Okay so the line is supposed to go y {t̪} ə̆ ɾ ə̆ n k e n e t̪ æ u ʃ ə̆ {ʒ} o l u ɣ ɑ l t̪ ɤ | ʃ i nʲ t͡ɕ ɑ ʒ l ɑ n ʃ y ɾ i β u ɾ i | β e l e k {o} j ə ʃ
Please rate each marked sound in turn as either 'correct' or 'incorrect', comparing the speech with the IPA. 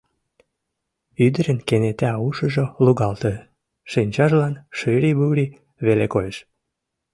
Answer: incorrect, correct, correct

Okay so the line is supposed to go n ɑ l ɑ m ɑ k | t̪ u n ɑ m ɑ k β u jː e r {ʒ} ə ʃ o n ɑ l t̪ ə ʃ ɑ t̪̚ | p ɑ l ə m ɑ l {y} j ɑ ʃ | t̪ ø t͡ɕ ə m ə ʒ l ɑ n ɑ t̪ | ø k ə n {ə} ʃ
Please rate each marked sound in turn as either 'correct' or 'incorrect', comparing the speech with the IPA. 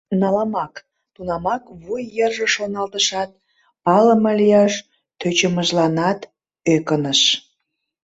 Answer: correct, incorrect, correct

